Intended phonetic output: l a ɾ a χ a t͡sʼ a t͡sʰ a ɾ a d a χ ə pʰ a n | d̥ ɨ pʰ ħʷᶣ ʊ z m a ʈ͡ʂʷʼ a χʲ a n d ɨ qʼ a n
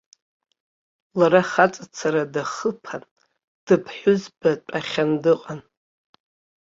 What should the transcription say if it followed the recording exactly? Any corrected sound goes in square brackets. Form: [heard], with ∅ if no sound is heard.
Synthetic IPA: l a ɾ a χ a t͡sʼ a t͡sʰ a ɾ a d a χ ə pʰ a n | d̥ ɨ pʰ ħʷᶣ ʊ z [b] a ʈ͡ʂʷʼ a χʲ a n d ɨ qʼ a n